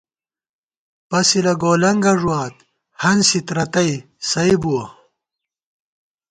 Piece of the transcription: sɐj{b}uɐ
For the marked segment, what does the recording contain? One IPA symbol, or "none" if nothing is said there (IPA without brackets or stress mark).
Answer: b